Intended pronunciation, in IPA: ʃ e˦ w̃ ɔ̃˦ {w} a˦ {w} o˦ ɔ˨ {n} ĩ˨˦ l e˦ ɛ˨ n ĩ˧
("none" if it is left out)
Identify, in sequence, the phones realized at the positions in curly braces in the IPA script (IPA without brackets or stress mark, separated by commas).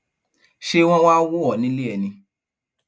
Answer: w, w, n